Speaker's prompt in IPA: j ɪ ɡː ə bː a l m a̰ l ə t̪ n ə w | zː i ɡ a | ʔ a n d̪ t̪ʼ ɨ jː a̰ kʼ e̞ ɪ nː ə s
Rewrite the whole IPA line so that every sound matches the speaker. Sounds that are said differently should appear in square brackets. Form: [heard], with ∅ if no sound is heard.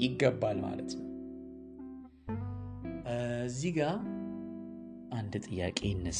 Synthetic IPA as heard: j ɪ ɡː ə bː a l m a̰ l ə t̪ n ə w | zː i ɡ a | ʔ a n d̪ t̪ʼ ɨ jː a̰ kʼ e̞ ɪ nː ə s